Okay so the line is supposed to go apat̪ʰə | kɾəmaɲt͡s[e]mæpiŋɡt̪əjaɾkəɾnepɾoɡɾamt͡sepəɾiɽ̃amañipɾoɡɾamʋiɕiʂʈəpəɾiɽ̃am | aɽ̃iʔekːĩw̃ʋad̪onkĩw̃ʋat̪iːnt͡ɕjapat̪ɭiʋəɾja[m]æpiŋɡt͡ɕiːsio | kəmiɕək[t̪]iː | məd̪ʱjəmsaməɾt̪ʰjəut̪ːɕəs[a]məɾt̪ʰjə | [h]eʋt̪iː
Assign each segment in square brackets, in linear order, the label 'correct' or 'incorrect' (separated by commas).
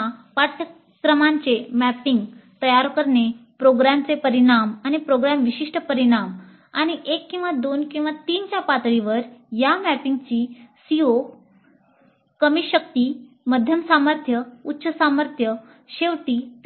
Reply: correct, correct, correct, correct, incorrect